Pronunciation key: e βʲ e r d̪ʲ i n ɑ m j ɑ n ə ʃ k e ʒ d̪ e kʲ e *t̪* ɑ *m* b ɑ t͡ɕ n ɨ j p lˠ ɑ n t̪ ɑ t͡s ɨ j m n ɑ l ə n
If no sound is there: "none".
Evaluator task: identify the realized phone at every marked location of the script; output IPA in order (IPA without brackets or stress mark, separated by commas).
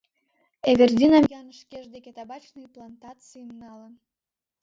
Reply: t̪, none